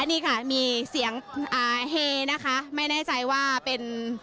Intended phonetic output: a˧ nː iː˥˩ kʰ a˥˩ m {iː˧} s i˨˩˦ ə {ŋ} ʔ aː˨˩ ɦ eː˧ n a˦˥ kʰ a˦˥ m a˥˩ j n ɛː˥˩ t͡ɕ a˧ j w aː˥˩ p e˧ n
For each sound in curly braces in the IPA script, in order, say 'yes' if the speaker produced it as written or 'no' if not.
yes, yes

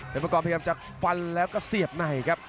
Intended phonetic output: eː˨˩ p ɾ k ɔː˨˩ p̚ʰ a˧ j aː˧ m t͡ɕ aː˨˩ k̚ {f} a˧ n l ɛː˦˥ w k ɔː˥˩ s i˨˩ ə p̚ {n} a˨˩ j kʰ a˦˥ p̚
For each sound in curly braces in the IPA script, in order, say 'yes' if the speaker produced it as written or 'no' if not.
yes, yes

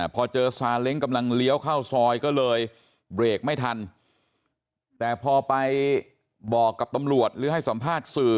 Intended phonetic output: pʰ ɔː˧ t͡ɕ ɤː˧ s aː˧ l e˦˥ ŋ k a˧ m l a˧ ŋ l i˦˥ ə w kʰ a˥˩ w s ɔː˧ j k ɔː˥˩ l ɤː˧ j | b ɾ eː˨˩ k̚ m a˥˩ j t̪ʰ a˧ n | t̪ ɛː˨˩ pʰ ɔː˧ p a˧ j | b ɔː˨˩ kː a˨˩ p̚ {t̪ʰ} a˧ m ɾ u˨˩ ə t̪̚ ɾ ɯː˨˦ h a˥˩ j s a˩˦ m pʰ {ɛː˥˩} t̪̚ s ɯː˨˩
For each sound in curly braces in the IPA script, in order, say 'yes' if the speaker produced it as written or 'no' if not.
no, no

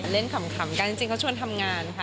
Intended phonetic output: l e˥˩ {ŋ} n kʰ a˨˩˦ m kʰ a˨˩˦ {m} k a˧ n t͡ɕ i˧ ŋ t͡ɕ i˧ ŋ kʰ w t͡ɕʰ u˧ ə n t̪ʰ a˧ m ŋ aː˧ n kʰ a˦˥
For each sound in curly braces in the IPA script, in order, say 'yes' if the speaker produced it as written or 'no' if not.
no, yes

